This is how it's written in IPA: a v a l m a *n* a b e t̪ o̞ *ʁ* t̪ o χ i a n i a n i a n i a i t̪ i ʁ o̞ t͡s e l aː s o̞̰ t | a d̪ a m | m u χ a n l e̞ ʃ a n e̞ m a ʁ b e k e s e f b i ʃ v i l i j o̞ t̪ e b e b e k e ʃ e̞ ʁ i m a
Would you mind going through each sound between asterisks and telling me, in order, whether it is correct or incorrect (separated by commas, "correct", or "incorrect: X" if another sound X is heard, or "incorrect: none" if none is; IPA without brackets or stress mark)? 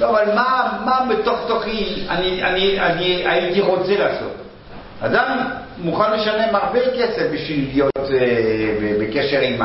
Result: incorrect: m, incorrect: χ